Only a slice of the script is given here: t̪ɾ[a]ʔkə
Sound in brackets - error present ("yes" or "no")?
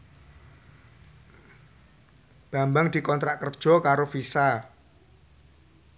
no